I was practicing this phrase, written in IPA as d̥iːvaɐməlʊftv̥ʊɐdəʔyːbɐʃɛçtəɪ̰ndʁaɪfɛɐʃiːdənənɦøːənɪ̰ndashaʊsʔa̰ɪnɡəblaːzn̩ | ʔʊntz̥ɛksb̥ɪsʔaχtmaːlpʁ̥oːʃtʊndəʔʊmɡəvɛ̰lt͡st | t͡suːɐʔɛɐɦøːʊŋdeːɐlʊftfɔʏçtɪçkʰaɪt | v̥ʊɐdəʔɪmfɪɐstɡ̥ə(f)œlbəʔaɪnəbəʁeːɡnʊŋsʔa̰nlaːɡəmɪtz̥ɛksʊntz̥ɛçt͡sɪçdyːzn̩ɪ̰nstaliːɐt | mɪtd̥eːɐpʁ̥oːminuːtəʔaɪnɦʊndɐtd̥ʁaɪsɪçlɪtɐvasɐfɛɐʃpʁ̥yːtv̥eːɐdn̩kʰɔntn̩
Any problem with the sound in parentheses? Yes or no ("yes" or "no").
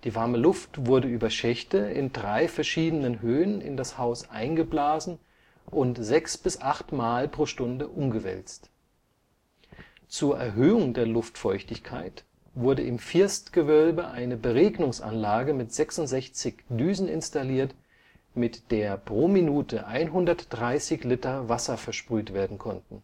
yes